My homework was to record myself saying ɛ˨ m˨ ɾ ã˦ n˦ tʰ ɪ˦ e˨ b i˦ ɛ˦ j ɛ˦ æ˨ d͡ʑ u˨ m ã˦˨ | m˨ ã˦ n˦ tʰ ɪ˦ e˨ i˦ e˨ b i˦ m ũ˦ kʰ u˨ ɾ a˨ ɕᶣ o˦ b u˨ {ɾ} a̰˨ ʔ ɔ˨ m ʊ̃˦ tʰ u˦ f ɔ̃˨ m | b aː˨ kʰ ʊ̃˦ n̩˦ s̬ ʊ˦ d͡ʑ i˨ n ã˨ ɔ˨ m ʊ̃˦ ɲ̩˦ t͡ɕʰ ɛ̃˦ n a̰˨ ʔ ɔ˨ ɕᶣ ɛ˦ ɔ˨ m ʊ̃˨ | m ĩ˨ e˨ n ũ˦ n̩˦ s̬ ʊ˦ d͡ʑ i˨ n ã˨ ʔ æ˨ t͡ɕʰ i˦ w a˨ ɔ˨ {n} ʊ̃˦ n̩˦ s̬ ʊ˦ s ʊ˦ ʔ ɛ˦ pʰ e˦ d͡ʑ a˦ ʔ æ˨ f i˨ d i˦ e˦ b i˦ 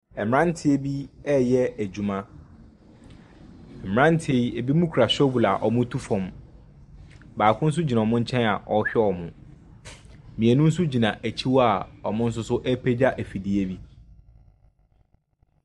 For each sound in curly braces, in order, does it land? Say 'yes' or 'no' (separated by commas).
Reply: no, no